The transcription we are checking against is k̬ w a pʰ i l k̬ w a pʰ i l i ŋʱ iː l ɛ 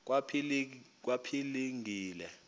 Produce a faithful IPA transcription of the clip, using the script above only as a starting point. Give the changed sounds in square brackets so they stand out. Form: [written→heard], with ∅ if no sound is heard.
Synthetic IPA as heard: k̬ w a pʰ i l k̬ w a pʰ i l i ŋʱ iː l ɛ